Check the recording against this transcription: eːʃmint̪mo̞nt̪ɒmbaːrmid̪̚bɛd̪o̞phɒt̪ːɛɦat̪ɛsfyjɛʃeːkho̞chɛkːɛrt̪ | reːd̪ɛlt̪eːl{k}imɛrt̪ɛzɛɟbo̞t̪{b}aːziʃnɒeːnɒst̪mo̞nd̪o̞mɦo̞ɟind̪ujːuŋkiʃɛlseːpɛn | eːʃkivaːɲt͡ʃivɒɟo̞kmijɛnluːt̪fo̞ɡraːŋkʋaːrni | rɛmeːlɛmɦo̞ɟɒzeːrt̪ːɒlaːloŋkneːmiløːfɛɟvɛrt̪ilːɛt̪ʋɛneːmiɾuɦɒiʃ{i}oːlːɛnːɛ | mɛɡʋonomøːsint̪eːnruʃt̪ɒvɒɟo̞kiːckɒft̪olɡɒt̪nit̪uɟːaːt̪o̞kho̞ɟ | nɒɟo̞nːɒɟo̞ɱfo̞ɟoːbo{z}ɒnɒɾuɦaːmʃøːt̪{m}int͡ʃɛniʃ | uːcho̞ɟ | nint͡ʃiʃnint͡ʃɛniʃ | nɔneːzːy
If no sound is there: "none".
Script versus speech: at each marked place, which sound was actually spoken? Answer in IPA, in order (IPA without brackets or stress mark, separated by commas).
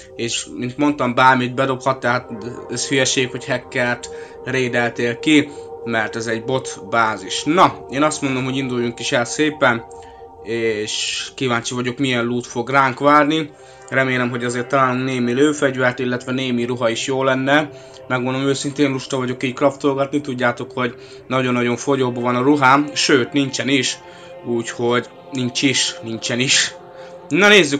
k, b, j, v, n